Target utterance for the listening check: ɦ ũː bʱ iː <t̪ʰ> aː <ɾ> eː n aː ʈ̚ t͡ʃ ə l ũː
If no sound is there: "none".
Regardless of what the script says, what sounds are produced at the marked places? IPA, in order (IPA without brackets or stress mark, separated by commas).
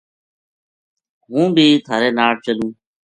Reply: t̪ʰ, ɾ